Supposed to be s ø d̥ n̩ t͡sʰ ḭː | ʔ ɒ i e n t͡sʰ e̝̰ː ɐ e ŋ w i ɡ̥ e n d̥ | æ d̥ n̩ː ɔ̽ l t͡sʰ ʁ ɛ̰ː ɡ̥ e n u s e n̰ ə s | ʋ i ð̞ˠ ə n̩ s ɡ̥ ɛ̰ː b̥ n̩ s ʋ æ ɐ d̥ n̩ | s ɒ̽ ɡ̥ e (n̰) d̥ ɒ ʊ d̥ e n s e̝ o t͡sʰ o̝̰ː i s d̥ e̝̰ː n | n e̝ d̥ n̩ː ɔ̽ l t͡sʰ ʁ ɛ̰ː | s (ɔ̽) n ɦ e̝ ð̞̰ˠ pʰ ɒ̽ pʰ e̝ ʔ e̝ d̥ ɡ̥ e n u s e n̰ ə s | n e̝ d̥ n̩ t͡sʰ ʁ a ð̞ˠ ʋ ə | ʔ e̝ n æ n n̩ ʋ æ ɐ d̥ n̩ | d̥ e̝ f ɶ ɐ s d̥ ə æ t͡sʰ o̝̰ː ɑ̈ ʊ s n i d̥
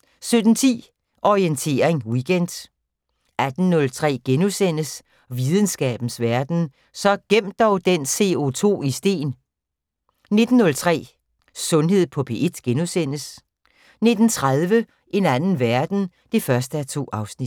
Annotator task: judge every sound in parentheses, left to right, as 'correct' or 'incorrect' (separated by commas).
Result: incorrect, correct